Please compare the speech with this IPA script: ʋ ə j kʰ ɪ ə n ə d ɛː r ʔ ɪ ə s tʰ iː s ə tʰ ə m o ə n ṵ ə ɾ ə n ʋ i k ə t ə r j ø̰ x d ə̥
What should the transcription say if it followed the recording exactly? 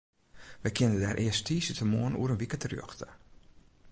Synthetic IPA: ʋ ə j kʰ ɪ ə n ə d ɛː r ʔ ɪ ə s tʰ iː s ə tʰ ə m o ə n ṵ ə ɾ ə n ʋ i k ə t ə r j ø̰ x t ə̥